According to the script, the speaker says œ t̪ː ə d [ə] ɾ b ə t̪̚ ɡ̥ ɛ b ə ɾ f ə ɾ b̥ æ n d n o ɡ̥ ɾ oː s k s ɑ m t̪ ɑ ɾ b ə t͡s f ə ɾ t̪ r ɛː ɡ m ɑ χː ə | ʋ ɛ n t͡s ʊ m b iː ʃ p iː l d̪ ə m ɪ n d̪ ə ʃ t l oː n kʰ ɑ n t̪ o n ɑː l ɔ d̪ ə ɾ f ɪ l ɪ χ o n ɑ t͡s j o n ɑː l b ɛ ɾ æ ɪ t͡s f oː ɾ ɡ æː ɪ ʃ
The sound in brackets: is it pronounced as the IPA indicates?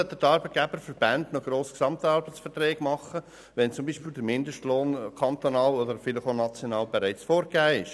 no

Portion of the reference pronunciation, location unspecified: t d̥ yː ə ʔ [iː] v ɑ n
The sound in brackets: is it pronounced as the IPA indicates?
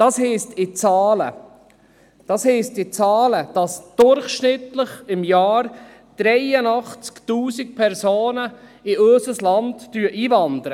yes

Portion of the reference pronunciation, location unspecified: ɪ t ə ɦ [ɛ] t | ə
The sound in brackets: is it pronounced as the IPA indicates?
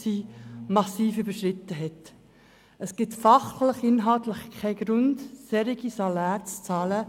yes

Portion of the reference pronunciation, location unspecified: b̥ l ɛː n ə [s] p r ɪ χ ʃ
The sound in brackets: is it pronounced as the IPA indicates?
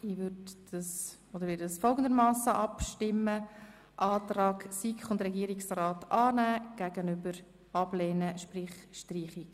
no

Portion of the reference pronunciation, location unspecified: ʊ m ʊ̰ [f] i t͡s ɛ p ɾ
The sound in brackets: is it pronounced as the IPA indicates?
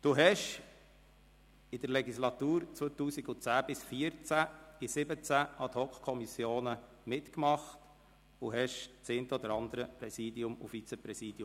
yes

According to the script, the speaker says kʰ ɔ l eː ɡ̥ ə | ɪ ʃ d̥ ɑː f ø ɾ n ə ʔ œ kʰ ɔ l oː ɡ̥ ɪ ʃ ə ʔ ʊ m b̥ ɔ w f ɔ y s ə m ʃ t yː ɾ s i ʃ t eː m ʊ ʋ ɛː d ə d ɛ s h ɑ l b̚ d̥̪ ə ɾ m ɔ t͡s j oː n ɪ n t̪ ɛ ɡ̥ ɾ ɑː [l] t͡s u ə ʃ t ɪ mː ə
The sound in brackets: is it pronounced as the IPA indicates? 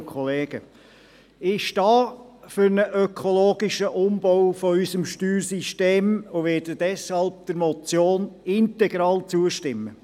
yes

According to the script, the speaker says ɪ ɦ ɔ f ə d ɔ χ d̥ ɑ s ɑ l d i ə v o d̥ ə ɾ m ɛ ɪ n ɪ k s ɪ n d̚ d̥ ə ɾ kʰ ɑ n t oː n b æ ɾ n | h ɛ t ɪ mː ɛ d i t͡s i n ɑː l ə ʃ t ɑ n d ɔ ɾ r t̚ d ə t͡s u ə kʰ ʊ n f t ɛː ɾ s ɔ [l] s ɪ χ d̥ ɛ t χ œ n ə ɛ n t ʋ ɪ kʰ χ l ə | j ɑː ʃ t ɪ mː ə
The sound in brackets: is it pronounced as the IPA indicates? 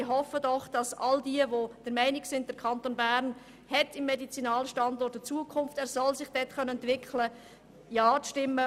yes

